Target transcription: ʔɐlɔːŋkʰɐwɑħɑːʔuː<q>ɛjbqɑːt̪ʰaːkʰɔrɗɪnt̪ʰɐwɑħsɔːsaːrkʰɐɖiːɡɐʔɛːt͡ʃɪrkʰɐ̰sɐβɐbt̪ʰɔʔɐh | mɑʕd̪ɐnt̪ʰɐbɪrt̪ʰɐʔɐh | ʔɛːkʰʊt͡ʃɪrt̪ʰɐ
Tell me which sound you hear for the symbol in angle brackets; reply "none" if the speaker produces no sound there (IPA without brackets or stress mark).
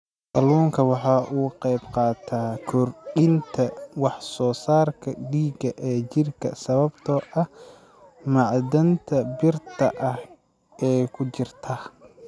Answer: q